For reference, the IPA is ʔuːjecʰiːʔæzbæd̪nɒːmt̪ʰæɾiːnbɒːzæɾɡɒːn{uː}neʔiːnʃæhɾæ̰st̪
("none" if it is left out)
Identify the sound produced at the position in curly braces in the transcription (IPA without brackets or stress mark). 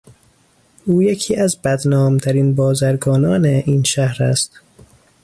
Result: ɒː